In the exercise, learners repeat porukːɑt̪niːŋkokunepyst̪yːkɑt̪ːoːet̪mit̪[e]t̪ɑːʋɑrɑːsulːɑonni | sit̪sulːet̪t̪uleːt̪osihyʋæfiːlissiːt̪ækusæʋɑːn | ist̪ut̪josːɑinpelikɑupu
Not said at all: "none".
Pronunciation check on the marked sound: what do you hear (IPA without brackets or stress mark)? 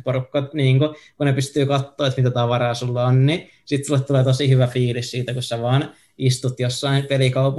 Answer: æ